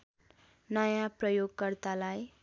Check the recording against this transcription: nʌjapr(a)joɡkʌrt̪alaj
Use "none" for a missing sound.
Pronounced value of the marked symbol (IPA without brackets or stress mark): ʌ